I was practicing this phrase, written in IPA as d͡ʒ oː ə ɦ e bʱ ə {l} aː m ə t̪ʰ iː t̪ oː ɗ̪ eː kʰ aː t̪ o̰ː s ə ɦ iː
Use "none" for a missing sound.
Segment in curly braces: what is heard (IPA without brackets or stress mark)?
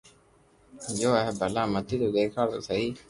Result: l